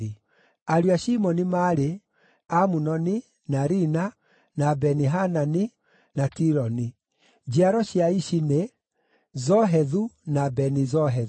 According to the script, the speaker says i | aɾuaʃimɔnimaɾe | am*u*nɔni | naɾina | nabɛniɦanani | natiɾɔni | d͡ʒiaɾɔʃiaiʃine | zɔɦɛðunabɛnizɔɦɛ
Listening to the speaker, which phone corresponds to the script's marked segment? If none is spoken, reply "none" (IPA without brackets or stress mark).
u